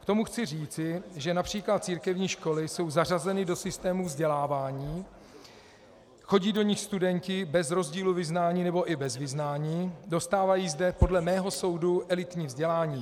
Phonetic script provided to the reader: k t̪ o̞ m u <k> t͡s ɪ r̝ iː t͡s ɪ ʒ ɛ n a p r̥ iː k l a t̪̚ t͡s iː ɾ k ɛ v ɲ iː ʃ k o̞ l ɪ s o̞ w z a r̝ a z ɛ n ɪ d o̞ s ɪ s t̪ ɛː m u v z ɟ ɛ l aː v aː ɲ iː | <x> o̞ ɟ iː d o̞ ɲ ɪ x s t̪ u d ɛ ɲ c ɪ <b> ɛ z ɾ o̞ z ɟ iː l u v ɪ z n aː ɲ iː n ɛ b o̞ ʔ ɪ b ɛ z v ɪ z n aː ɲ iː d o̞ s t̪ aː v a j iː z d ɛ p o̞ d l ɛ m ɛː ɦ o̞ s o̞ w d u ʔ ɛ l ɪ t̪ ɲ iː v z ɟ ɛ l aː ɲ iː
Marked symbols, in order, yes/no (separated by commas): no, yes, yes